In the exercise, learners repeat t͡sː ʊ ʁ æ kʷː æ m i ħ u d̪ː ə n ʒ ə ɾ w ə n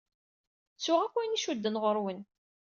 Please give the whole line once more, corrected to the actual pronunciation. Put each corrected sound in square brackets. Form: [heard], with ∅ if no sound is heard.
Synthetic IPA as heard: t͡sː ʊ ʁ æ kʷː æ [n] i [ʃ] u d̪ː ə n [ʁ] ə ɾ w ə n